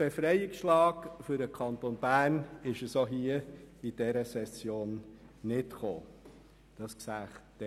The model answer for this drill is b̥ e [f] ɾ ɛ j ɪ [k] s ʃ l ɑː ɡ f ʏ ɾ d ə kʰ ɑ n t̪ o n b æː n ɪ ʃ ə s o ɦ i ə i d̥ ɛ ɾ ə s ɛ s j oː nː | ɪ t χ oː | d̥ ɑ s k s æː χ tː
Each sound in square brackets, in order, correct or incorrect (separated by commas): correct, correct